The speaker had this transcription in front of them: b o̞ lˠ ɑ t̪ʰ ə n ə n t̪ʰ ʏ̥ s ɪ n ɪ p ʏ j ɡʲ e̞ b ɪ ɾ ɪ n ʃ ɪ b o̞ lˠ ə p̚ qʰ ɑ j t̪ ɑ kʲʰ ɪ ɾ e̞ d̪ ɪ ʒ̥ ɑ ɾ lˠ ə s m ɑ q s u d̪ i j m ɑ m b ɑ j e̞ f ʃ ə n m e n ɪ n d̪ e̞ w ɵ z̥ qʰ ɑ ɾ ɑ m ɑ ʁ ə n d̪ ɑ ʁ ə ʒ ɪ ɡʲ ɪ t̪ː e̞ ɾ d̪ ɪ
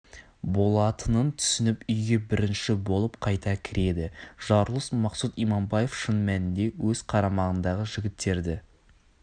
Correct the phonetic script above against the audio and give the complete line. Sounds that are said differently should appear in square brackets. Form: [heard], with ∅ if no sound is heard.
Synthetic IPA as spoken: b o̞ lˠ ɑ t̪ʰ ə n ə n t̪ʰ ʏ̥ s ɪ n ɪ p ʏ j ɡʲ e̞ b ɪ ɾ ɪ n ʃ ɪ b o̞ lˠ ə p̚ qʰ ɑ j t̪ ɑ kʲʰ ɪ ɾ e̞ d̪ ɪ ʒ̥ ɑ ɾ lˠ ə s m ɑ q s u [t̪] i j m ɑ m b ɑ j e̞ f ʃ ə n m [æ] n ɪ n d̪ e̞ w ɵ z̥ qʰ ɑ ɾ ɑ m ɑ ʁ ə n d̪ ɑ ʁ ə ʒ ɪ ɡʲ ɪ t̪ː e̞ ɾ d̪ ɪ